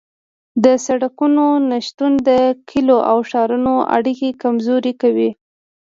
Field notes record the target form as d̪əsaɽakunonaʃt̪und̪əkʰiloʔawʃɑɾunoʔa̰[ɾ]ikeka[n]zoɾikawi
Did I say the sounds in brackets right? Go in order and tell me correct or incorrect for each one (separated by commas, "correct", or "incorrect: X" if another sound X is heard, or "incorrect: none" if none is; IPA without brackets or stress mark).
incorrect: ɽ, incorrect: m